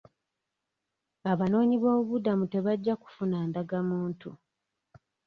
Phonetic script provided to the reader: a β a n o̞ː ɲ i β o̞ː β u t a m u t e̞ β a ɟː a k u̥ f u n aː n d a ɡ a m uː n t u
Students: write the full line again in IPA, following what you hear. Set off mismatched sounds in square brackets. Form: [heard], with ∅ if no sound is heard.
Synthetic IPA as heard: a β a n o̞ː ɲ i β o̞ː β u [d] a m u t e̞ β a ɟː a k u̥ f u n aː n d a ɡ a m uː n t u